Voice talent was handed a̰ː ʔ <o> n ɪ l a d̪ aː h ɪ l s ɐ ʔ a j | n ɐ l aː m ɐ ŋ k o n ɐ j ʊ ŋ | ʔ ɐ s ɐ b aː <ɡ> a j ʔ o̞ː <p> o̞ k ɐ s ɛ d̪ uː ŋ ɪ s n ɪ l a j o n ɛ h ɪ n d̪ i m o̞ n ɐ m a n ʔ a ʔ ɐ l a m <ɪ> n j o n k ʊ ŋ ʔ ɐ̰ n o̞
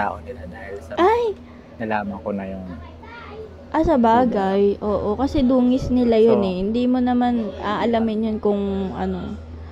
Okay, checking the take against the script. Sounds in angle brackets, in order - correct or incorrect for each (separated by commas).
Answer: correct, correct, incorrect, correct